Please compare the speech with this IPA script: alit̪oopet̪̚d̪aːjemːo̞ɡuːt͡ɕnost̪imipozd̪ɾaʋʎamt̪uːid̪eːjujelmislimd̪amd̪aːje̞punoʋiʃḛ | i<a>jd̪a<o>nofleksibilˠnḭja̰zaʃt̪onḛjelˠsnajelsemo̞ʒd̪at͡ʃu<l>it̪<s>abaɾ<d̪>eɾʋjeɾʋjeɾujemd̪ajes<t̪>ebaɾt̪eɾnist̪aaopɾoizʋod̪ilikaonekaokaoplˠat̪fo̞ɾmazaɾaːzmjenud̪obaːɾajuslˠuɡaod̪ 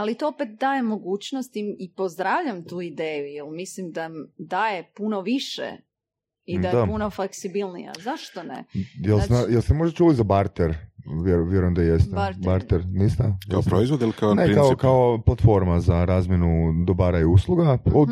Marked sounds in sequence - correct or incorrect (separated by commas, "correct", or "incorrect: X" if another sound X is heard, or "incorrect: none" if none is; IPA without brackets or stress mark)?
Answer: correct, incorrect: u, correct, incorrect: z, incorrect: t̪, correct